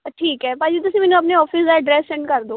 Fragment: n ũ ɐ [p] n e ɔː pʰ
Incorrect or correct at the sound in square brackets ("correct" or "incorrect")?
correct